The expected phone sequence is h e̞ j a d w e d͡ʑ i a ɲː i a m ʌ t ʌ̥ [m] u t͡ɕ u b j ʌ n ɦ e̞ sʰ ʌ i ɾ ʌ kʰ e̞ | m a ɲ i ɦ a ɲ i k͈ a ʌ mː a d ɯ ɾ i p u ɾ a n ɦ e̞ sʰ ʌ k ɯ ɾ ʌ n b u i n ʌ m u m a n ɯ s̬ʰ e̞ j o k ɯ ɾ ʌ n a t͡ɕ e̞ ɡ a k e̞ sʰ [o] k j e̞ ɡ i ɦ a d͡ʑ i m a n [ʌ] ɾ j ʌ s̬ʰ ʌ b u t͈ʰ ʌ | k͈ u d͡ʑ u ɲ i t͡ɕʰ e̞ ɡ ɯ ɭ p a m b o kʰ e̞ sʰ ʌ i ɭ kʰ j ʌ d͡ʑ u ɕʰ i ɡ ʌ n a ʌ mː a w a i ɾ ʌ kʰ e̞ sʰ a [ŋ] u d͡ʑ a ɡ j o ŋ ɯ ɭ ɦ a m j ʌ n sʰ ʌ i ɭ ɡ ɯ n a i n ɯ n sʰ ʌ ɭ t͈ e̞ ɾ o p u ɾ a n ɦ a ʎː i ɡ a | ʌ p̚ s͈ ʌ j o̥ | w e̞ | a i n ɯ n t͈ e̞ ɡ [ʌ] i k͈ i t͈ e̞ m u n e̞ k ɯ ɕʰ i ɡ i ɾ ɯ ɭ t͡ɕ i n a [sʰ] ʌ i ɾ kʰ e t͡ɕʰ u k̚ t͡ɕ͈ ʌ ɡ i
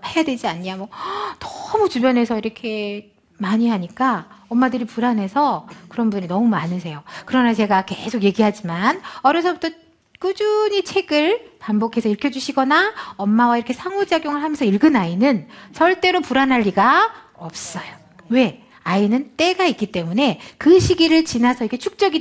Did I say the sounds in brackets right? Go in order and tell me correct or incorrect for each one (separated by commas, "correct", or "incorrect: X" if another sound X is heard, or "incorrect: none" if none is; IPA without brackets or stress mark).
correct, correct, correct, correct, incorrect: a, correct